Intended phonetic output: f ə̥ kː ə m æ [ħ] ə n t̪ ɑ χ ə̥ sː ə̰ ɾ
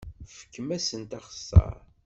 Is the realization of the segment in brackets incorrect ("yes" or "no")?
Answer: yes